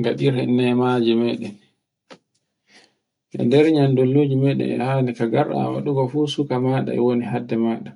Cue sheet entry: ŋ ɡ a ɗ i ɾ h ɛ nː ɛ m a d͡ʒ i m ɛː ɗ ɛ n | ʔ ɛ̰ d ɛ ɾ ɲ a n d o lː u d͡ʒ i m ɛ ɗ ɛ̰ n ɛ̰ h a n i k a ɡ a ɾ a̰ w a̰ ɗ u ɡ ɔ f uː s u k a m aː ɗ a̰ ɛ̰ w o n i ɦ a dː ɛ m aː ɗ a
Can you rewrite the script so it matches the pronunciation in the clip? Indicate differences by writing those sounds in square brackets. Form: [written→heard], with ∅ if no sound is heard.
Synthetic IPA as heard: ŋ ɡ a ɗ i ɾ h ɛ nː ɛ m a d͡ʒ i m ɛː ɗ ɛ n | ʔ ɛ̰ d ɛ ɾ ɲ a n d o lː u d͡ʒ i m ɛ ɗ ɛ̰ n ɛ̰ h a n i k a ɡ a ɾ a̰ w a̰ ɗ u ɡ ɔ f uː s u k a m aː ɗ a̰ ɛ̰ w o n i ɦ a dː ɛ m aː ɗ a